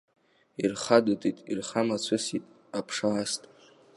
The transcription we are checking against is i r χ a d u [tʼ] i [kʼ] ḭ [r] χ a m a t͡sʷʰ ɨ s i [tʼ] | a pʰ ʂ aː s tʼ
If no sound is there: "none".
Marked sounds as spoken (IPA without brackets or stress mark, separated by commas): tʼ, tʼ, r, tʼ